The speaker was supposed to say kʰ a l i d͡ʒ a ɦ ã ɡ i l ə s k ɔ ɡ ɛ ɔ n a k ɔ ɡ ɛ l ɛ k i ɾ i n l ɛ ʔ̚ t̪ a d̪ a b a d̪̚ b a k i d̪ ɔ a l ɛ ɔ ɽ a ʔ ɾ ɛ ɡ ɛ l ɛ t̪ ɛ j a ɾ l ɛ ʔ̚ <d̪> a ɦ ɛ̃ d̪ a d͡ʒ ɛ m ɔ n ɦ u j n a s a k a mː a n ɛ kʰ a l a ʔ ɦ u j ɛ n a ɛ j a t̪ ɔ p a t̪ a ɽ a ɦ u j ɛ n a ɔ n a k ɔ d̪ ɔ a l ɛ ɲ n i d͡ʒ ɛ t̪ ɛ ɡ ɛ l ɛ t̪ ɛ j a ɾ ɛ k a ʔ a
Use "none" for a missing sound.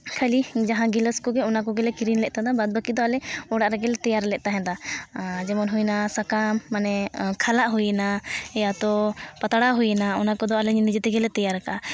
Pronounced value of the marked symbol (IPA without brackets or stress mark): t̪